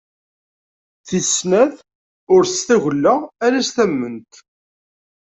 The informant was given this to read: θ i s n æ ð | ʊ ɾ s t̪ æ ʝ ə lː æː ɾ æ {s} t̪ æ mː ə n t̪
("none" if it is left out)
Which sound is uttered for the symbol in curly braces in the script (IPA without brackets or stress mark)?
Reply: s